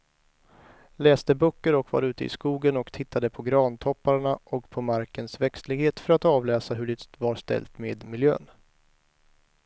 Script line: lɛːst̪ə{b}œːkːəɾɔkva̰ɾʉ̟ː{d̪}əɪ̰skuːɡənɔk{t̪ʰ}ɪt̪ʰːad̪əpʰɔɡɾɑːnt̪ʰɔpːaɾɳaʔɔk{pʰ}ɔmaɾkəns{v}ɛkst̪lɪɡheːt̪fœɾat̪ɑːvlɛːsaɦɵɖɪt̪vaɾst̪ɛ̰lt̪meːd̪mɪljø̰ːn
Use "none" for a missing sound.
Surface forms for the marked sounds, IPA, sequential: b, t̪, t̪ʰ, pʰ, v

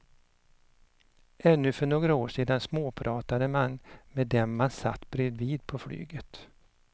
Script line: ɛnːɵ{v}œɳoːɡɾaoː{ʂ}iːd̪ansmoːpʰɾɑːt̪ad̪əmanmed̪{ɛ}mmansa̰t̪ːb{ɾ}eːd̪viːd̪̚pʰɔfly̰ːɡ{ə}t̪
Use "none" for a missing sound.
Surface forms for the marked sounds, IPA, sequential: f, ʂ, ɛ, ɾ, ə

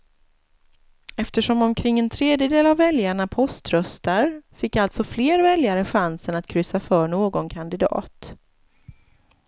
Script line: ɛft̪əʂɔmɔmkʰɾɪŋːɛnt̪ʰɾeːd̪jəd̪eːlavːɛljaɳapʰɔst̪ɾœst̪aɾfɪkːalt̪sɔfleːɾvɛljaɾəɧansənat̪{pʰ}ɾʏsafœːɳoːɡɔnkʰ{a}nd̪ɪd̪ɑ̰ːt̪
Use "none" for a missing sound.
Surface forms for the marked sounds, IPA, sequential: kʰ, a

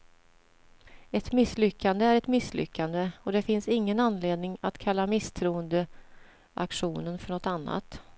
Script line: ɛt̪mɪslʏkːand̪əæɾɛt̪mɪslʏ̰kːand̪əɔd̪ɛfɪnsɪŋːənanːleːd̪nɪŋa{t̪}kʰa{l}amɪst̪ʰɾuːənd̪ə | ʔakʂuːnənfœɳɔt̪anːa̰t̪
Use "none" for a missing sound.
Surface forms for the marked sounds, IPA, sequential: t̪, lː

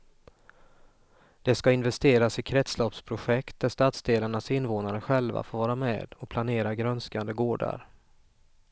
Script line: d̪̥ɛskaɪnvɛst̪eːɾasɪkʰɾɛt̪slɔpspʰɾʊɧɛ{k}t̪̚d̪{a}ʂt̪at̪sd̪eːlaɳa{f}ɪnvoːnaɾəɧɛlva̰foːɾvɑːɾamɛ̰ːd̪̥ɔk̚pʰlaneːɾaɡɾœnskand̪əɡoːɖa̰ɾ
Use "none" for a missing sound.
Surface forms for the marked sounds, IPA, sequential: k, æ, s

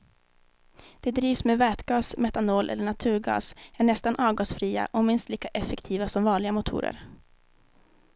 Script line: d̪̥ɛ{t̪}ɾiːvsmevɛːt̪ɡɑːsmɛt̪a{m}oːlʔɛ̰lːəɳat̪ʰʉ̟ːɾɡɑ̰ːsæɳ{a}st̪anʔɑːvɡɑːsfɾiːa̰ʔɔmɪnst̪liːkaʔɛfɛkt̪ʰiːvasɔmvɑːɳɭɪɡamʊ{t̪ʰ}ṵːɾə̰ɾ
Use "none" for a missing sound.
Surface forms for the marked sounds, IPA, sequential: d̪, n, ɛ, t̪ʰ

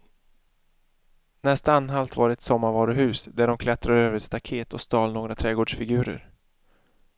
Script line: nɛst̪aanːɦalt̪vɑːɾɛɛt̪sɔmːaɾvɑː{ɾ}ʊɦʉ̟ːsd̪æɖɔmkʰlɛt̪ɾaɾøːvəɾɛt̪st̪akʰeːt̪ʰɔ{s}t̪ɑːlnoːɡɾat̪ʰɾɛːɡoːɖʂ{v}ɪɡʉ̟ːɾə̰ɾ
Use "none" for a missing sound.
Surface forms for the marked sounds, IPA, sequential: ɾ, s, f

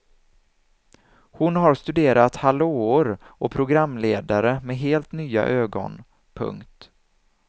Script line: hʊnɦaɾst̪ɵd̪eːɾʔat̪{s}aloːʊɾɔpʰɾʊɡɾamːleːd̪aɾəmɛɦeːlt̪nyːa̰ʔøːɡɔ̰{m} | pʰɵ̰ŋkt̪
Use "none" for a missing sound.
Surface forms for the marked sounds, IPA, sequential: h, n

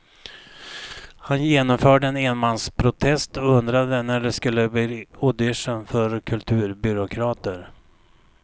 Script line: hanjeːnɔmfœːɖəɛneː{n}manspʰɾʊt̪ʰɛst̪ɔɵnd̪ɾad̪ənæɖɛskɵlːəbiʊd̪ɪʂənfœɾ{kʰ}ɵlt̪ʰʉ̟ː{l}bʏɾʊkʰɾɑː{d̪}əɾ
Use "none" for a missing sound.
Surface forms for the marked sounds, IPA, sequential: n, kʰ, ɾ, t̪

